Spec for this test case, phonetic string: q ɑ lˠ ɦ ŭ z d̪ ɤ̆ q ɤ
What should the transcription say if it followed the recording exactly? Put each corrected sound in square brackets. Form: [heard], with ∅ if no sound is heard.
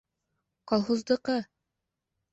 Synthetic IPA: q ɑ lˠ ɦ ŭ z d̪ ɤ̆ q ɤ

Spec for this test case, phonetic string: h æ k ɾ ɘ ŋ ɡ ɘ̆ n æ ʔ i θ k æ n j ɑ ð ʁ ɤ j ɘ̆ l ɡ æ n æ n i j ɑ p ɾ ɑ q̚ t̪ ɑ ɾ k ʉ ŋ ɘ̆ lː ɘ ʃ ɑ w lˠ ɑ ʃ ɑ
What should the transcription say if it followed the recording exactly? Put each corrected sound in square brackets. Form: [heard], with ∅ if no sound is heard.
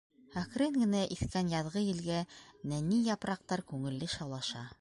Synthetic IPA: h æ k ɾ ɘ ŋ ɡ ɘ̆ n æ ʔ i θ k æ n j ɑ ð ʁ ɤ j ɘ̆ l ɡ æ n æ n i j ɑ p ɾ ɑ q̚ t̪ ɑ ɾ k ʉ ŋ ɘ̆ lː ɘ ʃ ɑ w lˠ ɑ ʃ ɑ

